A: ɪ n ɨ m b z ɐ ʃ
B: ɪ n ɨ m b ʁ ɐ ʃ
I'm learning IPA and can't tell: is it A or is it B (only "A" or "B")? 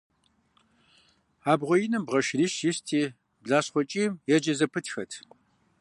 B